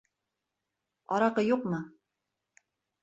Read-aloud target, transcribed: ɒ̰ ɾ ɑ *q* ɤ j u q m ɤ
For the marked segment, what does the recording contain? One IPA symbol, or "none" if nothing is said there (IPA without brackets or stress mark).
q